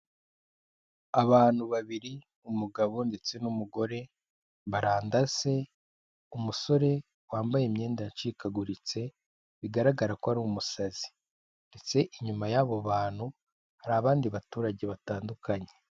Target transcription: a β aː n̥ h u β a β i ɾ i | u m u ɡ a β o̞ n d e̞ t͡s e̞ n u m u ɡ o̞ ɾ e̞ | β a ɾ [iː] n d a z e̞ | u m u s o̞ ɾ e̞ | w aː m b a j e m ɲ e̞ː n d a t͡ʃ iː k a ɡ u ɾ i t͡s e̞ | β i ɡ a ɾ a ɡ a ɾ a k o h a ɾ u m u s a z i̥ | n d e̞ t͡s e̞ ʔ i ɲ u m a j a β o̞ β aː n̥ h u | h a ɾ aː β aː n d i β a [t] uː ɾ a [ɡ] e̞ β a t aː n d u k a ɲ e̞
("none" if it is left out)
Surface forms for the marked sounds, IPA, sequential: aː, t, ɟ

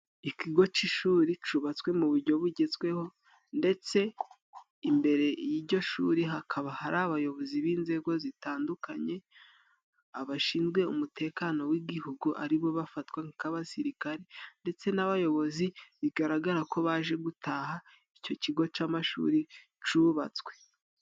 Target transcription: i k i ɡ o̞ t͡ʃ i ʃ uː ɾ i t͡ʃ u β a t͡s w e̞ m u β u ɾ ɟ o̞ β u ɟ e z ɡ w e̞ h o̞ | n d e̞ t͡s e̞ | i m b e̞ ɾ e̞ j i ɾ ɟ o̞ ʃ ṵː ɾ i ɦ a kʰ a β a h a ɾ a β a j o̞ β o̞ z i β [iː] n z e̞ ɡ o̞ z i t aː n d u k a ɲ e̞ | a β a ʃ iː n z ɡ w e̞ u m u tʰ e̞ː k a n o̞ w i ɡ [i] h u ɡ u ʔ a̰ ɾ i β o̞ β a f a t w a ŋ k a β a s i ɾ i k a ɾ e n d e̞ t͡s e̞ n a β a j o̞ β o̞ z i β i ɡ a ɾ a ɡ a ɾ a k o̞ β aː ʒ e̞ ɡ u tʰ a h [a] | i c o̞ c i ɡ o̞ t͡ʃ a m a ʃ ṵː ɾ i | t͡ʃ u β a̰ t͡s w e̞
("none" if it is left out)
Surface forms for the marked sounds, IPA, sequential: iː, i, a

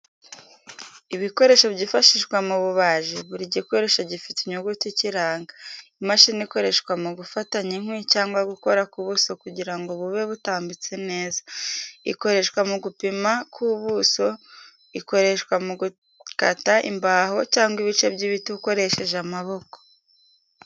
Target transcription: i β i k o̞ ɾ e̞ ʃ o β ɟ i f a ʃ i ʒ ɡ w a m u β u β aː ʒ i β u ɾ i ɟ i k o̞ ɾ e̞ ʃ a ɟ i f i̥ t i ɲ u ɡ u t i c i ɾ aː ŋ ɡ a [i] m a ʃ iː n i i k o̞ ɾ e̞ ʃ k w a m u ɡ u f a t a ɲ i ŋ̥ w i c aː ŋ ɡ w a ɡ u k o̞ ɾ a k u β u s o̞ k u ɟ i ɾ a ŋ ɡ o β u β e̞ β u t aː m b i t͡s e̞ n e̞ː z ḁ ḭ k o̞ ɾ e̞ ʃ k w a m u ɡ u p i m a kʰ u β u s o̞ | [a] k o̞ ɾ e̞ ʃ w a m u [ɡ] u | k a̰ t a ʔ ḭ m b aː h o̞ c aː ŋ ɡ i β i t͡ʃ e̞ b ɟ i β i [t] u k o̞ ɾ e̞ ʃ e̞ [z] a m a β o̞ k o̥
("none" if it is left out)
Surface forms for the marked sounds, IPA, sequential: i, i, ɡ, t, ʒ

